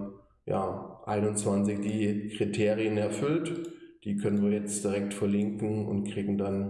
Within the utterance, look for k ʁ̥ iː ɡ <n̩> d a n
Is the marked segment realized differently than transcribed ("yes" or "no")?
yes